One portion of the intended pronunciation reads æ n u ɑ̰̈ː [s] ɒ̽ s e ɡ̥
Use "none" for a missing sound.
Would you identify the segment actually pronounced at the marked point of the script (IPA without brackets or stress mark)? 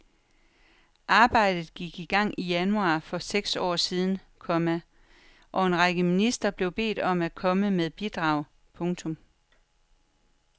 f